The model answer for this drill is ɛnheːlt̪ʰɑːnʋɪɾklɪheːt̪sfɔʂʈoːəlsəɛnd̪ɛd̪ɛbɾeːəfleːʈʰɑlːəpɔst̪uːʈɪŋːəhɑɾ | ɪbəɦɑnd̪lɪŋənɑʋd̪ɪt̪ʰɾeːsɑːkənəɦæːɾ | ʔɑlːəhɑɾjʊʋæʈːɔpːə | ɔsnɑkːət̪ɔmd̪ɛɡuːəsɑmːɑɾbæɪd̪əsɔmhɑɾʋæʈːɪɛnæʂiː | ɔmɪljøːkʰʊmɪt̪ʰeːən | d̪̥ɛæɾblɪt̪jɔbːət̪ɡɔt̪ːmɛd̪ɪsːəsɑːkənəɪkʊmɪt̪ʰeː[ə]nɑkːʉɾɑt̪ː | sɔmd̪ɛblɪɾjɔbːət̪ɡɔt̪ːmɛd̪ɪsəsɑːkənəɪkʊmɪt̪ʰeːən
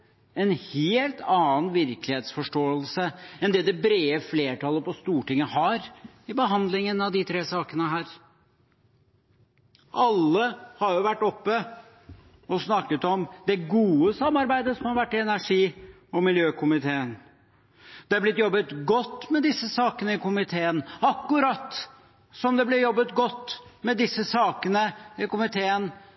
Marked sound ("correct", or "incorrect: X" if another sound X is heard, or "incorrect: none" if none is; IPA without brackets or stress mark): correct